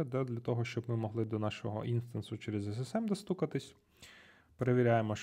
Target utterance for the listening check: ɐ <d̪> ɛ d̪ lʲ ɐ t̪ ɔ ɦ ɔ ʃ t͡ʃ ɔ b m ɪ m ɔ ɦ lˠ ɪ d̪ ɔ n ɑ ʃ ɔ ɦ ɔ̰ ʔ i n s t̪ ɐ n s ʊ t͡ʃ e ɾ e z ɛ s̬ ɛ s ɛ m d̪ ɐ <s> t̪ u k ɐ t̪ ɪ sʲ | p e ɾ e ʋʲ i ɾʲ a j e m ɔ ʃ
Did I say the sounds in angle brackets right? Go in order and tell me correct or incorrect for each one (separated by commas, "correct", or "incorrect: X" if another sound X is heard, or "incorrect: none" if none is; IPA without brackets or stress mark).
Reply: correct, correct